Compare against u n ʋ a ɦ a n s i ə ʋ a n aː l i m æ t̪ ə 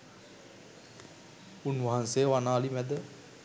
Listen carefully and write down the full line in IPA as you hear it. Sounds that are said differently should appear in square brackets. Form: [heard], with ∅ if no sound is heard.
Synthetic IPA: u n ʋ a ɦ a n s [e] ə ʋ a n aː l i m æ [d̪] ə